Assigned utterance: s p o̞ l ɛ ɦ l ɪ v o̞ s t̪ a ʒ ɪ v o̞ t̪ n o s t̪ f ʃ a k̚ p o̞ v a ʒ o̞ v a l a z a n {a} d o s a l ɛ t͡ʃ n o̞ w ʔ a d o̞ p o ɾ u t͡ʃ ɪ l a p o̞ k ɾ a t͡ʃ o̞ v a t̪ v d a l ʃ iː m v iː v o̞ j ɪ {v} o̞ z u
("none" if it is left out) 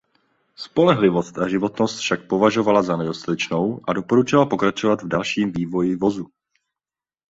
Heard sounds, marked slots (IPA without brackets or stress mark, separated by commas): ɛ, v